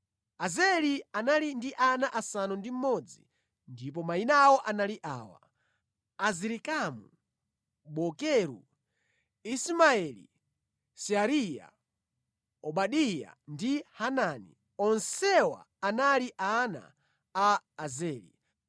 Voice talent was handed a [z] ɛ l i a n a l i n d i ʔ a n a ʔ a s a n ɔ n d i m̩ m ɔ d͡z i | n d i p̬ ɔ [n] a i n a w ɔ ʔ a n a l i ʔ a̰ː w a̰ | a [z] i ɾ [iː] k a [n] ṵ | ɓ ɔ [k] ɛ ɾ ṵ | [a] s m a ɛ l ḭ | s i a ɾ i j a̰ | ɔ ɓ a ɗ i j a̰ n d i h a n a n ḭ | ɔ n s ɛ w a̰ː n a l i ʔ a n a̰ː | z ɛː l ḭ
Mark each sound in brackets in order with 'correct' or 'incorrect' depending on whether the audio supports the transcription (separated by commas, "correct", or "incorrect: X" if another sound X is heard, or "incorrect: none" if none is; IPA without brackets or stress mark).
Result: correct, incorrect: m, correct, incorrect: i, incorrect: m, correct, incorrect: i